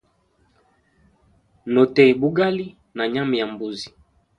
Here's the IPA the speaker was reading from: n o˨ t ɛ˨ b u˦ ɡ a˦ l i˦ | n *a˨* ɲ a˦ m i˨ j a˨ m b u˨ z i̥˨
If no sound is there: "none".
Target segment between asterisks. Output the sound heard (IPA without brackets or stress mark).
a˨